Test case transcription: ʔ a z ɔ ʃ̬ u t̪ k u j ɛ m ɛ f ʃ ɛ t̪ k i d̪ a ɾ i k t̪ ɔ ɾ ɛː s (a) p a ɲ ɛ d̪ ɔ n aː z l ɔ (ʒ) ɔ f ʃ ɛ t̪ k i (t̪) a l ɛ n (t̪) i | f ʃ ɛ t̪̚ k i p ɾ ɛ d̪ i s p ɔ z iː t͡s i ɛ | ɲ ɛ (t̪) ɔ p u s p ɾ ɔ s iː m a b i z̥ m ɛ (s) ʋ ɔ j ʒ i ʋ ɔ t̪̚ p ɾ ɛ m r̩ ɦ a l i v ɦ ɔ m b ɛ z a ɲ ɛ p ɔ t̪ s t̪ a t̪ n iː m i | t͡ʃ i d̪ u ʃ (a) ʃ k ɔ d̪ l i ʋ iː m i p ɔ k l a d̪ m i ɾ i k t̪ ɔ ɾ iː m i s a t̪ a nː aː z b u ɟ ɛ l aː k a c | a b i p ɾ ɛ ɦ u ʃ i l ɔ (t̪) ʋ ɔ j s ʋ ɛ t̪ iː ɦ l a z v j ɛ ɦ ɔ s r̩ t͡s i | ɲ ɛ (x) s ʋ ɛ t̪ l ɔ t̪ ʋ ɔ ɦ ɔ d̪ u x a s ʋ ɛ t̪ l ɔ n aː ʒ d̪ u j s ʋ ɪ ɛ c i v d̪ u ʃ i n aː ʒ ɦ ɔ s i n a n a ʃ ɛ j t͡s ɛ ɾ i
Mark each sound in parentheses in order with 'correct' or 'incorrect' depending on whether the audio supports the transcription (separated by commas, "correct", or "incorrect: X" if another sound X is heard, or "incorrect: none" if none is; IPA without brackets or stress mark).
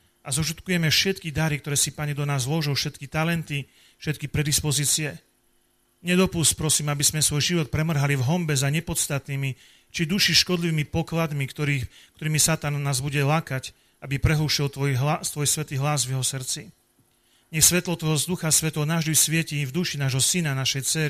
incorrect: i, correct, correct, correct, incorrect: d̪, correct, incorrect: i, correct, correct